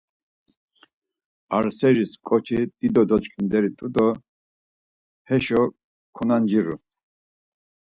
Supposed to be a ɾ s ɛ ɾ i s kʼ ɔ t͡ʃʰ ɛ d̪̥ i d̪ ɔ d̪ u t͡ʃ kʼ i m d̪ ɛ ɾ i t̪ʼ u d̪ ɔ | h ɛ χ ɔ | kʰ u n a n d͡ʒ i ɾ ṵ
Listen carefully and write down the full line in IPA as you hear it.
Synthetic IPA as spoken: a ɾ s ɛ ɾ i s kʼ ɔ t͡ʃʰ i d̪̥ i d̪ ɔ d̪ ɔ t͡ʃ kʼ i n d̪ ɛ ɾ i t̪ʼ u d̪ ɔ | h ɛ ʃ ɔ | kʰ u n a n d͡ʒ i ɾ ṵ